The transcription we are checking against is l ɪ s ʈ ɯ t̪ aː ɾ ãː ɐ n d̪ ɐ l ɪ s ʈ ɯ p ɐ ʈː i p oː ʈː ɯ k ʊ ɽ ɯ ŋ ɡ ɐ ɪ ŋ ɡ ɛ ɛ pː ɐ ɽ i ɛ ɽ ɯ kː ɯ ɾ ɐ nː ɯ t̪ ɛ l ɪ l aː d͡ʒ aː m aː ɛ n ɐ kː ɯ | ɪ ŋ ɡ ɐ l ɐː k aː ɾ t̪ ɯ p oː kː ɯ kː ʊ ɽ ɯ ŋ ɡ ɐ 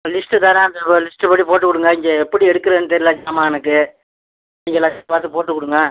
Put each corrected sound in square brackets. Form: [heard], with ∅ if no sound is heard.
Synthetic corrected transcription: l ɪ s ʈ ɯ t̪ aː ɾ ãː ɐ n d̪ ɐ l ɪ s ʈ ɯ p ɐ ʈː i p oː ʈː ɯ k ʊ ɽ ɯ ŋ ɡ ɐ ɪ ŋ ɡ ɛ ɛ pː ɐ ɽ i ɛ ɽ ɯ kː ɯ ɾ ɐ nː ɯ t̪ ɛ [ɾ] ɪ l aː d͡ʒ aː m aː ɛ n ɐ kː ɯ | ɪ ŋ ɡ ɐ l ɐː [p] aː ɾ t̪ ɯ p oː [ʈː] ɯ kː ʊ ɽ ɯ ŋ ɡ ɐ

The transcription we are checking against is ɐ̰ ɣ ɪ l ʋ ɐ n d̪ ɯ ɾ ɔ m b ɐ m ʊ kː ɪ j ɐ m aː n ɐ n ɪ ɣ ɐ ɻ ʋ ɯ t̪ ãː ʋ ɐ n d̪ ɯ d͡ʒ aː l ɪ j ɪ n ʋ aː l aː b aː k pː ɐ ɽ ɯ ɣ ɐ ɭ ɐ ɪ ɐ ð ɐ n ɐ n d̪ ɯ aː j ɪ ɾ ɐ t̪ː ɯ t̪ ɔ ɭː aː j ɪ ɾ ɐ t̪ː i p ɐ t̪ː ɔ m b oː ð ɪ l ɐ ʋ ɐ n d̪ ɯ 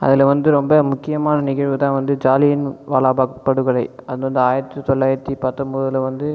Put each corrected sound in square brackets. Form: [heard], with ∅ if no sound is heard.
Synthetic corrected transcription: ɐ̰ [ð] ɪ l ʋ ɐ n d̪ ɯ ɾ ɔ m b ɐ m ʊ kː ɪ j ɐ m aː n ɐ n ɪ ɣ ɐ ɻ ʋ ɯ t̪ ãː ʋ ɐ n d̪ ɯ d͡ʒ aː l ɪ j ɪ n ʋ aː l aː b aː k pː ɐ ɽ ɯ ɣ ɐ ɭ ɐ ɪ ɐ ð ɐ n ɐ n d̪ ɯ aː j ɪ ɾ ɐ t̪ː ɯ t̪ ɔ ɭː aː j ɪ ɾ ɐ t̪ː i p ɐ t̪ː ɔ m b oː ð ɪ l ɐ ʋ ɐ n d̪ ɯ

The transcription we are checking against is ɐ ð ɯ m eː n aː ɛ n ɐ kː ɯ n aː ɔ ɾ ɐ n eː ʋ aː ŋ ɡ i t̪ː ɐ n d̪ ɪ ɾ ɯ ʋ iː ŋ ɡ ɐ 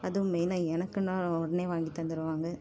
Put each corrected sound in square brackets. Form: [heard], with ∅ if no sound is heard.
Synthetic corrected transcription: ɐ ð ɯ m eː n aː ɛ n ɐ kː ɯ n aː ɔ [ɽ] ɐ n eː ʋ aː ŋ ɡ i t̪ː ɐ n d̪ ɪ ɾ ɯ ʋ [aː] ŋ ɡ ɐ

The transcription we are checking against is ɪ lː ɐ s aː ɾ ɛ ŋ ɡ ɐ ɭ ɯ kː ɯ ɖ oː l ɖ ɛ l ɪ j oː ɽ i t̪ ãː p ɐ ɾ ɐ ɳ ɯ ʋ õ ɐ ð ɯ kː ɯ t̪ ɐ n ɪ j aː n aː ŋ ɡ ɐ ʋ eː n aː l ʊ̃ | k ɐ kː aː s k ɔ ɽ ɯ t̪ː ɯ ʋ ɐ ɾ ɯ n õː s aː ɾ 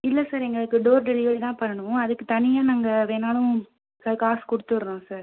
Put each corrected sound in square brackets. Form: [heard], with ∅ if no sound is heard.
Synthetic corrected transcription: ɪ lː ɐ s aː ɾ ɛ ŋ ɡ ɐ ɭ ɯ kː ɯ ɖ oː [ɾ] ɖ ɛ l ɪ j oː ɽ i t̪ ãː p ɐ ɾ ɐ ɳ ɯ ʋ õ ɐ ð ɯ kː ɯ t̪ ɐ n ɪ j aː n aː ŋ ɡ ɐ ʋ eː n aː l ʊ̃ | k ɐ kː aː s k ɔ ɽ ɯ t̪ː ɯ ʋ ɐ ɾ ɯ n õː s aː ɾ

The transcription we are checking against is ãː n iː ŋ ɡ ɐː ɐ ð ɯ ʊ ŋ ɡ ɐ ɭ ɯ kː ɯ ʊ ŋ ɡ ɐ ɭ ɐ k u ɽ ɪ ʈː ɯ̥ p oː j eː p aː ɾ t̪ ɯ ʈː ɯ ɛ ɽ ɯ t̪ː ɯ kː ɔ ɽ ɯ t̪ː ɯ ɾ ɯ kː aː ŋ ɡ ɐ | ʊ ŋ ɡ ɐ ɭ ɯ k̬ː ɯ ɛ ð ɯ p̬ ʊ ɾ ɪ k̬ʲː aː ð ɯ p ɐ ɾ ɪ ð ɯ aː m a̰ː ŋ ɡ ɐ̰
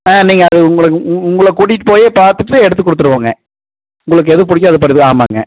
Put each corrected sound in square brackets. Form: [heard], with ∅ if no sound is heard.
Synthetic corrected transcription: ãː n iː ŋ ɡ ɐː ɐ ð ɯ ʊ ŋ ɡ ɐ ɭ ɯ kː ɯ ʊ ŋ ɡ ɐ ɭ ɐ k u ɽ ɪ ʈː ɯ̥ p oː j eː p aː ɾ t̪ ɯ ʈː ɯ ɛ ɽ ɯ t̪ː ɯ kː ɔ ɽ ɯ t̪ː ɯ ɾ ɯ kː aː ŋ ɡ ɐ | ʊ ŋ ɡ ɐ ɭ ɯ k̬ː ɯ ɛ ð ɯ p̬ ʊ [ɽ] ɪ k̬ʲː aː ð ɯ p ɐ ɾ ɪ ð ɯ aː m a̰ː ŋ ɡ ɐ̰

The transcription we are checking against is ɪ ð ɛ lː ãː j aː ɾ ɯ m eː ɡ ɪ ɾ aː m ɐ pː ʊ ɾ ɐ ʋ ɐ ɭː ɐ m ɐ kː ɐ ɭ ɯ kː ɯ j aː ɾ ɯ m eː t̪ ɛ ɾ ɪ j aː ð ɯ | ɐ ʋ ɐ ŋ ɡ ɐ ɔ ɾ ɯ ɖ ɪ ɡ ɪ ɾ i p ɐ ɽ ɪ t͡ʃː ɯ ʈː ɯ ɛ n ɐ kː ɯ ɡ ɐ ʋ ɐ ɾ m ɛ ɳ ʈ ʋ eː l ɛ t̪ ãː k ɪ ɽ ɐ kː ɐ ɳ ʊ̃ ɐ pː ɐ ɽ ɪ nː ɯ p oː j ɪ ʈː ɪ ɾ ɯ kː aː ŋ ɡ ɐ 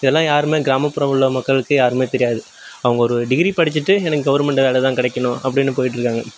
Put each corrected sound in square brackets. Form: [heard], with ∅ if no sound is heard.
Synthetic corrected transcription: ɪ ð ɛ lː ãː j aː ɾ ɯ m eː ɡ ɪ ɾ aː m ɐ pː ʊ ɾ ɐ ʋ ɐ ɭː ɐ m ɐ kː ɐ ɭ ɯ kː ɯ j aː ɾ ɯ m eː t̪ ɛ ɾ ɪ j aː ð ɯ | ɐ ʋ ɐ ŋ ɡ ɐ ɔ ɾ ɯ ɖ ɪ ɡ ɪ ɾ i p ɐ ɽ ɪ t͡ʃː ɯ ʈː ɯ ɛ n ɐ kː ɯ ɡ ɐ ʋ ɐ ɾ m ɛ ɳ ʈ ʋ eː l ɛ t̪ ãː k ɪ ɽ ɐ kː ɐ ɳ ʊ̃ ɐ pː ɐ ɽ ɪ nː ɯ p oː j ɪ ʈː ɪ ɾ ɯ kː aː ŋ ɡ ɐ

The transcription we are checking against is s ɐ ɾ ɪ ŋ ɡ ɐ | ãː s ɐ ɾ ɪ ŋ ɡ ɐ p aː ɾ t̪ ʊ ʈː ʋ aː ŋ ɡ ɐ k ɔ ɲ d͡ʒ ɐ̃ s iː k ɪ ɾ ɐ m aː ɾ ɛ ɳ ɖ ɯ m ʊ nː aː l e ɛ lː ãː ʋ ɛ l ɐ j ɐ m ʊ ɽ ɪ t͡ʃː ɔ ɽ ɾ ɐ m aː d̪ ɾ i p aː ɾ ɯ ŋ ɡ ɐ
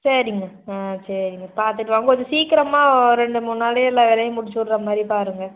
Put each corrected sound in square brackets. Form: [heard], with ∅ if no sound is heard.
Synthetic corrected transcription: s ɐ ɾ ɪ ŋ ɡ ɐ | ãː s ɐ ɾ ɪ ŋ ɡ ɐ p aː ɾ t̪ [ɯ] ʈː ʋ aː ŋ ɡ ɐ k ɔ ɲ d͡ʒ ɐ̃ s iː k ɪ ɾ ɐ m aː ɾ ɛ ɳ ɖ ɯ m ʊ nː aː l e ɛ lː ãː ʋ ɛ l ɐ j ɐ m ʊ ɽ ɪ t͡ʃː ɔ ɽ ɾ ɐ m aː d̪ ɾ i p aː ɾ ɯ ŋ ɡ ɐ

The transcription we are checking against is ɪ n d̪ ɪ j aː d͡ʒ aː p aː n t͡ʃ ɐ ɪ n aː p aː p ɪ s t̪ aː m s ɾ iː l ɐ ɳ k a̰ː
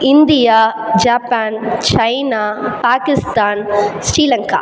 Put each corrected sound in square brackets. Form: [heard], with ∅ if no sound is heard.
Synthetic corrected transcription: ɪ n d̪ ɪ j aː d͡ʒ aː p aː n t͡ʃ ɐ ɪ n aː p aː [k] ɪ s t̪ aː [n] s ɾ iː l ɐ [ŋ] k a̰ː

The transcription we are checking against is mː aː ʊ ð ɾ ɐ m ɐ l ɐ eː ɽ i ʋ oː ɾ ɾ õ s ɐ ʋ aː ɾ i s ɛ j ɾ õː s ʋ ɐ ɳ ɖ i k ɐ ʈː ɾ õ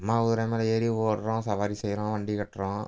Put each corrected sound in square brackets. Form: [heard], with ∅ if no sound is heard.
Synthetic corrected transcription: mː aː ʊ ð ɾ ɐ m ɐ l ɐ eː [ɾ] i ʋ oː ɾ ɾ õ s ɐ ʋ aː ɾ i s ɛ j ɾ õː [∅] ʋ ɐ ɳ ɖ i k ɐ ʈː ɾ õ

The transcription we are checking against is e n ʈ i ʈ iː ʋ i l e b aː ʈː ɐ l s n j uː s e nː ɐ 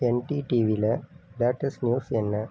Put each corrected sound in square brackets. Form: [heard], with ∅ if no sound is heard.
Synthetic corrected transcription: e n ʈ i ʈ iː ʋ i l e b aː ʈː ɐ [∅] s n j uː s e nː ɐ

